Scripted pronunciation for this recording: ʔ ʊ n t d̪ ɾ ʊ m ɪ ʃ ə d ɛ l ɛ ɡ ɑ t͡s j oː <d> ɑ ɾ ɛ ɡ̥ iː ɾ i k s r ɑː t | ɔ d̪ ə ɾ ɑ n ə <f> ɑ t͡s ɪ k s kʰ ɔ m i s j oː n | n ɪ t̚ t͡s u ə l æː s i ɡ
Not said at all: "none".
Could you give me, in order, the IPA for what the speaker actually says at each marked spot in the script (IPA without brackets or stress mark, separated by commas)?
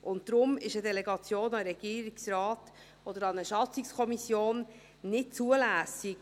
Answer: n, ʃ